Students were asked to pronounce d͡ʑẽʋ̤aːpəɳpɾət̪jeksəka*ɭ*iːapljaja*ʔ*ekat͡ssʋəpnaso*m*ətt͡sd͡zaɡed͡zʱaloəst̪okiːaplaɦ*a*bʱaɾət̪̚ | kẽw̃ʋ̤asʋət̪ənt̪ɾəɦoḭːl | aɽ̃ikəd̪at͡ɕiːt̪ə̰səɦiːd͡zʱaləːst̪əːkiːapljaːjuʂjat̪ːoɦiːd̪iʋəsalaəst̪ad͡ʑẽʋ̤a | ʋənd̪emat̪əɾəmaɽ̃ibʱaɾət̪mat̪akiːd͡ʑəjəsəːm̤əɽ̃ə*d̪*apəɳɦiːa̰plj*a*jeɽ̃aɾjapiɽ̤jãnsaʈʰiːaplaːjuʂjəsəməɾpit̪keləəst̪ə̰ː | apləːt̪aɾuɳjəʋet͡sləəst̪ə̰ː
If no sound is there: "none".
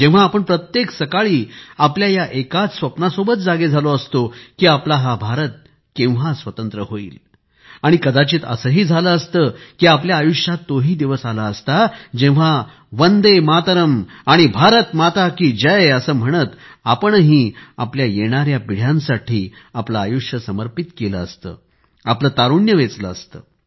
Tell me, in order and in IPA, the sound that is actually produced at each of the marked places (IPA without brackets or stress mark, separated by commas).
ɭ, ʔ, b, a, t̪, a